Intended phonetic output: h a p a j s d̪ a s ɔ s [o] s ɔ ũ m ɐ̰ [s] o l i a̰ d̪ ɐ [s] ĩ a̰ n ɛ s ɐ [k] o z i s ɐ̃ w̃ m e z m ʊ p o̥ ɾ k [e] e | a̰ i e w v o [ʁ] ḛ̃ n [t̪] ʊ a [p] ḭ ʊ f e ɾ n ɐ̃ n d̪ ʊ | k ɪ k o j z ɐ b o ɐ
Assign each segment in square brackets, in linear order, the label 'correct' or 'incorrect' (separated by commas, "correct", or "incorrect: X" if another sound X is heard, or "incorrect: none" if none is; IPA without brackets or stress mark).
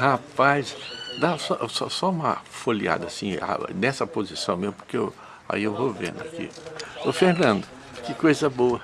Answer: incorrect: ɔ, incorrect: f, correct, incorrect: p, correct, incorrect: v, incorrect: d̪, incorrect: k